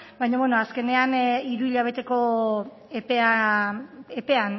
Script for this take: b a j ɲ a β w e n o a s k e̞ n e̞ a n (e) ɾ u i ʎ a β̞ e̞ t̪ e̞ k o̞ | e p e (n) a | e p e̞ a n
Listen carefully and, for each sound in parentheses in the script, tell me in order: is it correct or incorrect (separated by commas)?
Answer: incorrect, incorrect